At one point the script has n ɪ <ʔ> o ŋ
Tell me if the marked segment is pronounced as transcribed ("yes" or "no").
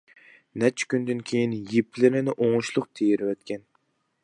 yes